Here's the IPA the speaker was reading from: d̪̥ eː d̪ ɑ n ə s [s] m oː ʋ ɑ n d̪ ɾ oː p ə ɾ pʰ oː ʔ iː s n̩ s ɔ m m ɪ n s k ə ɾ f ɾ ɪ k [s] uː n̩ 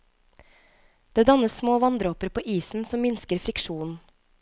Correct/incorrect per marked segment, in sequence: correct, incorrect

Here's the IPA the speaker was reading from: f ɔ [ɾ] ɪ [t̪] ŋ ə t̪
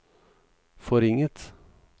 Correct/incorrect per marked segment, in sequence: correct, incorrect

